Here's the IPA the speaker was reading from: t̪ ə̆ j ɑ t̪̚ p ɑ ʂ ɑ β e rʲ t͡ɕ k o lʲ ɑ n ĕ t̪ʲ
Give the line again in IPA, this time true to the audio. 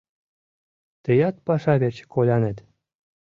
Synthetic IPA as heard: t̪ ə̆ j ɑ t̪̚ p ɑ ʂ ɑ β e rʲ t͡ɕ k o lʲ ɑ n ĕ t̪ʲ

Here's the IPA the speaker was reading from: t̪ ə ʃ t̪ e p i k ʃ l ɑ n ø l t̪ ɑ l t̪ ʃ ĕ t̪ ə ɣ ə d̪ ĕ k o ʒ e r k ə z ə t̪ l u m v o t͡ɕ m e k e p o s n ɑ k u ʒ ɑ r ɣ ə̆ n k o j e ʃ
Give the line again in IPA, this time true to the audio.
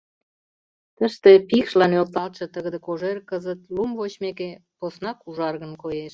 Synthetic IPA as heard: t̪ ə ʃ t̪ e p i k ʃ l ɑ n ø l t̪ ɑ l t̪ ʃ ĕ t̪ ə ɣ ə d̪ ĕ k o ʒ e r k ə z ə t̪ l u m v o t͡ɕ m e k e p o s n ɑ k u ʒ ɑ r ɣ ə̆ n k o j e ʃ

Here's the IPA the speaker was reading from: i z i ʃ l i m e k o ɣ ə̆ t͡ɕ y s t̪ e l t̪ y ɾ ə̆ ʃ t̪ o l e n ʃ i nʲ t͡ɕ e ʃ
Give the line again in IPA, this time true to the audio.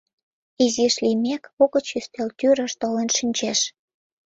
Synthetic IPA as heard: i z i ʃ l i m e k o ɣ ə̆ t͡ɕ y s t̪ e l t̪ y ɾ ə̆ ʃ t̪ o l e n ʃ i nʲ t͡ɕ e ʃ

